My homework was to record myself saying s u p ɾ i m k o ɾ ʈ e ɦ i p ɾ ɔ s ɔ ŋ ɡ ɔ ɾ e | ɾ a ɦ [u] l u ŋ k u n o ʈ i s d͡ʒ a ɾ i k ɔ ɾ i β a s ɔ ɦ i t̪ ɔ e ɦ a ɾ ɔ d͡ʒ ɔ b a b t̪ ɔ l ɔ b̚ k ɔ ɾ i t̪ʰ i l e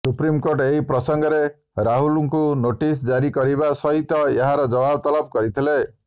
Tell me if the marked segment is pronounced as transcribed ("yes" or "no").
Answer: yes